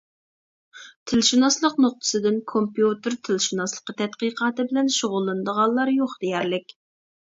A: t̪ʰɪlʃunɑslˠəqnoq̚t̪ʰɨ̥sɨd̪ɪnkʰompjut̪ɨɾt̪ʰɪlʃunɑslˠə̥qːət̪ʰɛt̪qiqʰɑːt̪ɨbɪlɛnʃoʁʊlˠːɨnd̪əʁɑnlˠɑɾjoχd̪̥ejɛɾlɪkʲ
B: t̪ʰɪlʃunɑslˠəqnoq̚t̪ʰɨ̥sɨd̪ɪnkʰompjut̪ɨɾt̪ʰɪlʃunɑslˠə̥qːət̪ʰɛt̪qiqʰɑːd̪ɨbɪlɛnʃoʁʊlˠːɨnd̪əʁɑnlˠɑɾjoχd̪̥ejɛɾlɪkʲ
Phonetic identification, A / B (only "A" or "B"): A